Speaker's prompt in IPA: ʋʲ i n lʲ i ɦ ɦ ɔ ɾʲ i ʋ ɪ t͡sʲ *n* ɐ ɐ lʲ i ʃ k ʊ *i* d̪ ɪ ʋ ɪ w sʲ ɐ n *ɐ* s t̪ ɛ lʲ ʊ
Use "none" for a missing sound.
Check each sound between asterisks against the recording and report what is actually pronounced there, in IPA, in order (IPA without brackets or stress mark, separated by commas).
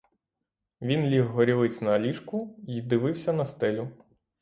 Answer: n, i, ɐ